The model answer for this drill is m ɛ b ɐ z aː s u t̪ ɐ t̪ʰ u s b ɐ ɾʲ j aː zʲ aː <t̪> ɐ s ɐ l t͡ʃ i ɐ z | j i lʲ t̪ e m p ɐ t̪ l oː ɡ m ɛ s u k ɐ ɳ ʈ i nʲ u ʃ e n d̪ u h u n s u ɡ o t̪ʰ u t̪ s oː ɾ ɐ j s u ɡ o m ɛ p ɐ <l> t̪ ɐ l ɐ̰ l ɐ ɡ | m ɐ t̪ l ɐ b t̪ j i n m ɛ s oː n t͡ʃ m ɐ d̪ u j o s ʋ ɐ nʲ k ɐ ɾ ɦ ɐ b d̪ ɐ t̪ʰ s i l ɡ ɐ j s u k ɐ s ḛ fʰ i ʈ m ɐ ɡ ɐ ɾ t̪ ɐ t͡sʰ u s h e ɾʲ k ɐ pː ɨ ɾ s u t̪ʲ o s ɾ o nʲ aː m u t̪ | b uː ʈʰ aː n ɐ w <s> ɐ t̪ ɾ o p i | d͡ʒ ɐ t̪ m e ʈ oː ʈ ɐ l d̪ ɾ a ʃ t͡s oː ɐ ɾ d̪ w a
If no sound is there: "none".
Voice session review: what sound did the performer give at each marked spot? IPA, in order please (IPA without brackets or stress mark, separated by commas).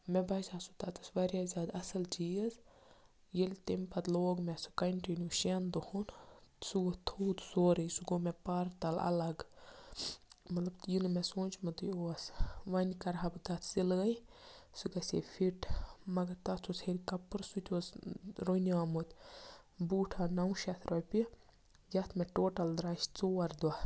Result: d̪, ɾ, ʃ